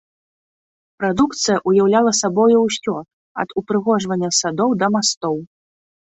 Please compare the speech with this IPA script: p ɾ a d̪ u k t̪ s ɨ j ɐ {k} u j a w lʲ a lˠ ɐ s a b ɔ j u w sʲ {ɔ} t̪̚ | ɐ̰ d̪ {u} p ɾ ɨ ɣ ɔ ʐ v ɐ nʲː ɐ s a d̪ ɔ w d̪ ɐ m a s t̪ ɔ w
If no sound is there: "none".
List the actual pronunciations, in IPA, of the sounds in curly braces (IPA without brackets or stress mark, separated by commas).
ʔ, ɔ, u